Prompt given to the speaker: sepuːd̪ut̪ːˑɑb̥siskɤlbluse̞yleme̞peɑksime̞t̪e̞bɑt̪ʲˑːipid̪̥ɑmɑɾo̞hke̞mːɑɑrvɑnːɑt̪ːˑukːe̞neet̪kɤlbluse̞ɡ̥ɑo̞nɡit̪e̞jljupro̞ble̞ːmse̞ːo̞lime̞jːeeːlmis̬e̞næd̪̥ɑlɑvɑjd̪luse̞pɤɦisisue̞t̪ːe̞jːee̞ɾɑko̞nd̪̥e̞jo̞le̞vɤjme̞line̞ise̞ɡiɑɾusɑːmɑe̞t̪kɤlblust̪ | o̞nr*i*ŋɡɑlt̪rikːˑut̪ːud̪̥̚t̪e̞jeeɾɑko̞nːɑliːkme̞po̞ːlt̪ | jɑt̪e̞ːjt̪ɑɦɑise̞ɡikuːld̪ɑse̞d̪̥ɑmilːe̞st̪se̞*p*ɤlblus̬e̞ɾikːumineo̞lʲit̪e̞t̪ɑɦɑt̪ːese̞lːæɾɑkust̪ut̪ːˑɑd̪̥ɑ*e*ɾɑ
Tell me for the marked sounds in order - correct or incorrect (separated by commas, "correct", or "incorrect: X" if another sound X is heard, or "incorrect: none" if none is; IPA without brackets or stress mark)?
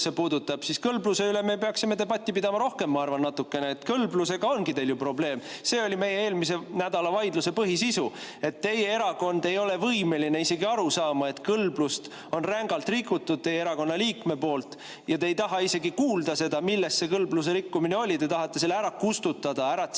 incorrect: æ, incorrect: k, incorrect: æ